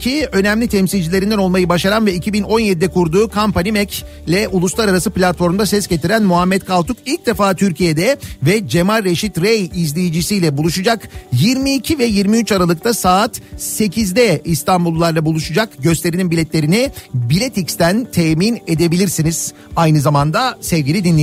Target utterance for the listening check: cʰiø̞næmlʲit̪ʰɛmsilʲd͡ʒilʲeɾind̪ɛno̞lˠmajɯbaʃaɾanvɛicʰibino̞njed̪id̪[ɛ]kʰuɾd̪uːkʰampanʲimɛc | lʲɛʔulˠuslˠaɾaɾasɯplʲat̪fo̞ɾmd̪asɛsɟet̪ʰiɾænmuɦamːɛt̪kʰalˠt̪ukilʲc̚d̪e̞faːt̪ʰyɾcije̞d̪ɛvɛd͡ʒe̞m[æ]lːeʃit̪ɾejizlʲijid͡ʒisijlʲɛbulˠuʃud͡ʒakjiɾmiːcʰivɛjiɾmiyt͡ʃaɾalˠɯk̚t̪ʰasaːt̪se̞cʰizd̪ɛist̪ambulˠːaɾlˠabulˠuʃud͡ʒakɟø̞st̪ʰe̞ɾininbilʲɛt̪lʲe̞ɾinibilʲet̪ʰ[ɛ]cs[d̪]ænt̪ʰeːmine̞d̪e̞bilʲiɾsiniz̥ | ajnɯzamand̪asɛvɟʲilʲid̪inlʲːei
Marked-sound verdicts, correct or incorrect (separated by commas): correct, incorrect, incorrect, incorrect